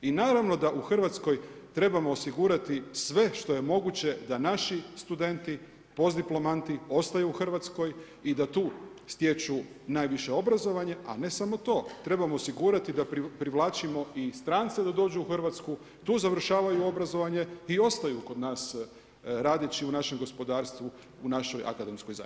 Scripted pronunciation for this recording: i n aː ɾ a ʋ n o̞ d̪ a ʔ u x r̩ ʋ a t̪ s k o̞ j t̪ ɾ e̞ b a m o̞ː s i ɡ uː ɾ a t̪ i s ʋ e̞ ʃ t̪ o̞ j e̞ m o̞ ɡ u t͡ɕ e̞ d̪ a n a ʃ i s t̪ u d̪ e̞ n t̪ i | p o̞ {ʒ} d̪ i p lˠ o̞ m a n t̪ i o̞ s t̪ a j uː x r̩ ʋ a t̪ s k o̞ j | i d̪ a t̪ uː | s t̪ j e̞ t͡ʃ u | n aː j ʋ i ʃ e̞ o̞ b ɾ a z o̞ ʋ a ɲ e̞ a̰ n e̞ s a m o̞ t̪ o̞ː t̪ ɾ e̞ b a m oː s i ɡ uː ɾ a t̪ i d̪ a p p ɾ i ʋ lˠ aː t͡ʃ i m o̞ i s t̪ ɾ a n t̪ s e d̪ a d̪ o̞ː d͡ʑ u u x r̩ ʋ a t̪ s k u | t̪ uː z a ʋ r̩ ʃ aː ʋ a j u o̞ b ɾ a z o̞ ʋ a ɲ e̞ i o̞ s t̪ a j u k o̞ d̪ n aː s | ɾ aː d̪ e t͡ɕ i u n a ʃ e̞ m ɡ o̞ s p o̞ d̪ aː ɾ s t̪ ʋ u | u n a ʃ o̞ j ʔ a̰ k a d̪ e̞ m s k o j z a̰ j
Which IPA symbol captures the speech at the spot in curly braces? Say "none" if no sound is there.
z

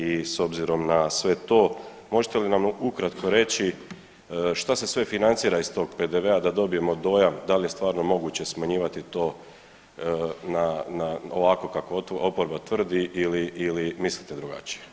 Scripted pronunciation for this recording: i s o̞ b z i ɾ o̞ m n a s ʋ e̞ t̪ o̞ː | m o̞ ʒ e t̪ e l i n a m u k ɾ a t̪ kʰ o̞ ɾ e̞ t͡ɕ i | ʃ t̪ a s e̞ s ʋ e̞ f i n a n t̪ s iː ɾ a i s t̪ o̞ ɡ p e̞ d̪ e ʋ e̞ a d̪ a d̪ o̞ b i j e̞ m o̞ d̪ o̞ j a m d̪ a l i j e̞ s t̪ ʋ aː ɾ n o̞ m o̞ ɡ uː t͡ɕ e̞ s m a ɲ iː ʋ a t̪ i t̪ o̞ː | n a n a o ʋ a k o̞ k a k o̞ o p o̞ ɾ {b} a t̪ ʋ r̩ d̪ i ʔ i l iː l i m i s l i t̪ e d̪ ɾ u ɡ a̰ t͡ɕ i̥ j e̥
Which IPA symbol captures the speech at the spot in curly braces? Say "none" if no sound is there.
b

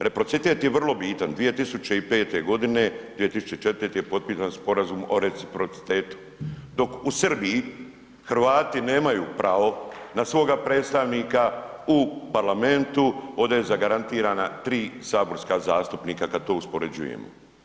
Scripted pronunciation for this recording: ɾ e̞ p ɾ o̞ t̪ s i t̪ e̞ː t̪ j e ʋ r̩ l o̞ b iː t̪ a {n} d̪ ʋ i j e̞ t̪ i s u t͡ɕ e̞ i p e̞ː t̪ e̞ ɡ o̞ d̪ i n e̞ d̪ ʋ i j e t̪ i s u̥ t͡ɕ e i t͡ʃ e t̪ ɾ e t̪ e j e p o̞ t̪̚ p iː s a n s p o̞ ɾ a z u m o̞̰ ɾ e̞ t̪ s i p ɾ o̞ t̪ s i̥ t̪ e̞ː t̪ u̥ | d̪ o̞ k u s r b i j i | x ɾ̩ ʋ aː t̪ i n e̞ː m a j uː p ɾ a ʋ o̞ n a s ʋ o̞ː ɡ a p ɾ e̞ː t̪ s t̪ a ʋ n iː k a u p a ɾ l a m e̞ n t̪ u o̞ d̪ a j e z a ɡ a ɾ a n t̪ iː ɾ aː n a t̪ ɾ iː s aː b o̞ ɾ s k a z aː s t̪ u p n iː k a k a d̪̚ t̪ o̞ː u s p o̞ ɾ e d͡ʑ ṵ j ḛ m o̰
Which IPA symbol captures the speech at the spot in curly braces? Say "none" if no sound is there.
n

